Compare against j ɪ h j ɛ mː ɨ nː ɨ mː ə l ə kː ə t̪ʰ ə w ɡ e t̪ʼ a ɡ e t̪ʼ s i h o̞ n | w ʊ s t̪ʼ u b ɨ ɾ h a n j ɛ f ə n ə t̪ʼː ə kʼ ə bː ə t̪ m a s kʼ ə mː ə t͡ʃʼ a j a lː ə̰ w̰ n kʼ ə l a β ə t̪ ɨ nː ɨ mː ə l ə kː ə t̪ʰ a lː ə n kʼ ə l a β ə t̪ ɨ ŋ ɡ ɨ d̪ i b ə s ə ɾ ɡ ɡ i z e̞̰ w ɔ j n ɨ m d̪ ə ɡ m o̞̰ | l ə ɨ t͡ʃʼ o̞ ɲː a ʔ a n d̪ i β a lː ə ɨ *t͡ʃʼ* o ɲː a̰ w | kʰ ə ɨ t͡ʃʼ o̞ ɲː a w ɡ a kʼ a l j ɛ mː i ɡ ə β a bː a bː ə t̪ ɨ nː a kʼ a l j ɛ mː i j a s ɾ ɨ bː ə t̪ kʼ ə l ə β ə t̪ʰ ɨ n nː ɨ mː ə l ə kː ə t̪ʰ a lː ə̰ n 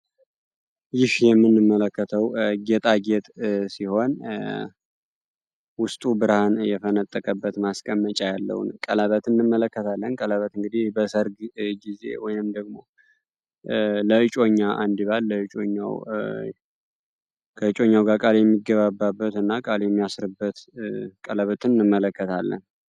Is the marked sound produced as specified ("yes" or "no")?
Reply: yes